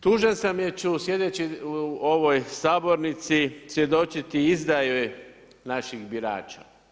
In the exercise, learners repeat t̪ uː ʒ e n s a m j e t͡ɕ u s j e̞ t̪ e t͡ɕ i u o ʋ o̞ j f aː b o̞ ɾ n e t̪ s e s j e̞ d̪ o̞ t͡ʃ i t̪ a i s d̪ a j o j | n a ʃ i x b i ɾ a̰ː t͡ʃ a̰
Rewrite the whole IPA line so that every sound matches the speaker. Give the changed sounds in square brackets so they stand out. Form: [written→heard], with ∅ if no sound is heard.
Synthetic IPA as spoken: t̪ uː ʒ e n s a m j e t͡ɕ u s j e̞ [t̪→d̪] e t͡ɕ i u o ʋ o̞ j [f→s] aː b o̞ ɾ n [e→i] t̪ s [e→i] s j e̞ d̪ o̞ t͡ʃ i t̪ [a→i] i [s→z] d̪ a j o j | n a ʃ i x b i ɾ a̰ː t͡ʃ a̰